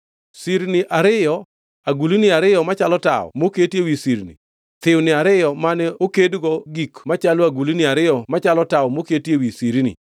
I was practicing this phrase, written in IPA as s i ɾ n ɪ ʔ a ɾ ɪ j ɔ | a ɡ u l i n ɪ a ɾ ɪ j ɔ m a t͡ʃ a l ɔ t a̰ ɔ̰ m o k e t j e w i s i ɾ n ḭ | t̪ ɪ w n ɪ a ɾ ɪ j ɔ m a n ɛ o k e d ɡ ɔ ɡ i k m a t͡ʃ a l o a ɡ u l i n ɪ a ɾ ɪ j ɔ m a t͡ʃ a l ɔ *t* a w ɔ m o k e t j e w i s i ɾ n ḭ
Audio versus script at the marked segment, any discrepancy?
no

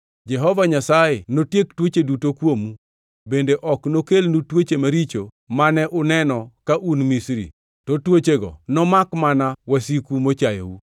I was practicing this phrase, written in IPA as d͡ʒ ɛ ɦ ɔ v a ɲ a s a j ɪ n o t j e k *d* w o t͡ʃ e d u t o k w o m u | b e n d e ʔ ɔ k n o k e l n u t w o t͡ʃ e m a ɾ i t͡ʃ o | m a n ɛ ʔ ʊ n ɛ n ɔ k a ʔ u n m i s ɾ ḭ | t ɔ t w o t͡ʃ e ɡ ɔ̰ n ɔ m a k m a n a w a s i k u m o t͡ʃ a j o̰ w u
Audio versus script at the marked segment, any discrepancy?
yes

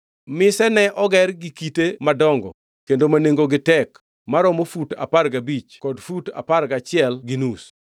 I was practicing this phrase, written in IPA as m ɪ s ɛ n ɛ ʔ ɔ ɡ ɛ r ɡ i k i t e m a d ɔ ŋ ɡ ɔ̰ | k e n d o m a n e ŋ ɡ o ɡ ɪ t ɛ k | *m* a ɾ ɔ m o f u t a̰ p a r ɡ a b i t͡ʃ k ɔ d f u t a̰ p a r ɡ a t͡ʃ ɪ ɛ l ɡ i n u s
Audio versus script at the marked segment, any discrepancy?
no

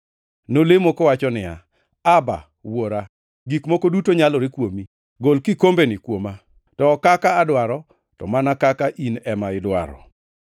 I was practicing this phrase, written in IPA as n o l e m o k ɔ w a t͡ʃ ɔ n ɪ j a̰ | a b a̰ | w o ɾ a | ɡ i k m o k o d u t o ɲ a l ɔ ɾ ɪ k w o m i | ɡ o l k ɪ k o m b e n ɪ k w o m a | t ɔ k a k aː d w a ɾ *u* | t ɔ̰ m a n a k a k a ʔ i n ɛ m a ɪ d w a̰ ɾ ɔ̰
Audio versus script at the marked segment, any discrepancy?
yes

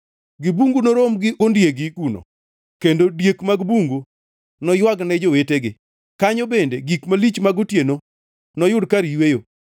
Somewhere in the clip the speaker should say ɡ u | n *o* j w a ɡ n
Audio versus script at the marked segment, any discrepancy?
yes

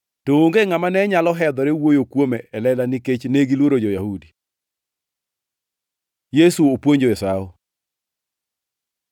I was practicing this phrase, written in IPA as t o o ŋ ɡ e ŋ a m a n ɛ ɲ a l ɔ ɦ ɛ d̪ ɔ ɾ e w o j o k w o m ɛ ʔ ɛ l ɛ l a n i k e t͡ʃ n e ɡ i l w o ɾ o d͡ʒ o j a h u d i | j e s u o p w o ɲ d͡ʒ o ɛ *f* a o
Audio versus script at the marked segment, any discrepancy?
yes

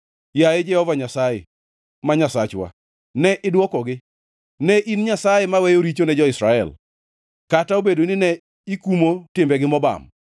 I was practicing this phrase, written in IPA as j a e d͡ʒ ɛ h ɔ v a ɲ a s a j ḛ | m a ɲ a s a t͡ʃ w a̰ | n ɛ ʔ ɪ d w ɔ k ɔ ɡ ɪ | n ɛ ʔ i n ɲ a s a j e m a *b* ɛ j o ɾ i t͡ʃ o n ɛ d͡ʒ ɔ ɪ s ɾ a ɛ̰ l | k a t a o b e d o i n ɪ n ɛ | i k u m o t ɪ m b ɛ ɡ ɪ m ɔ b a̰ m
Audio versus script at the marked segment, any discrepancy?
yes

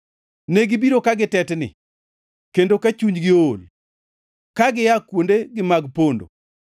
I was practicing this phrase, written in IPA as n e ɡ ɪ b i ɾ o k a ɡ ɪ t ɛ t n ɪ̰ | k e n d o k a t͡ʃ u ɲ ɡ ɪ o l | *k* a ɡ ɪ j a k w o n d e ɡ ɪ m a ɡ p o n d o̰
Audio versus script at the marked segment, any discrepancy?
no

